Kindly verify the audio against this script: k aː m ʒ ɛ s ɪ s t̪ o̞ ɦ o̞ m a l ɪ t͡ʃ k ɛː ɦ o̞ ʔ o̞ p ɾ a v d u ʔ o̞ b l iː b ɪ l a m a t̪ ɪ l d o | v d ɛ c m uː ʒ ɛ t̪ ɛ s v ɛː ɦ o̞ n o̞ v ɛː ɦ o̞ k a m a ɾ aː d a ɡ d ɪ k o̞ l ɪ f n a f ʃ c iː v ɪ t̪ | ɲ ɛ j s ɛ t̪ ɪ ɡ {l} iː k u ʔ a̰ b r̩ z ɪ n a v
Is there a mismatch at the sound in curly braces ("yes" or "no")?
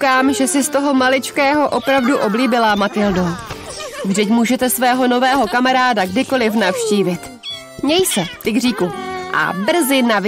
yes